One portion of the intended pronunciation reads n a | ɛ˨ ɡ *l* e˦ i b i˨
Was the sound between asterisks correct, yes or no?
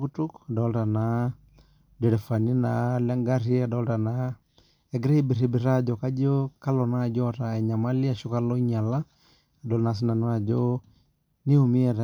no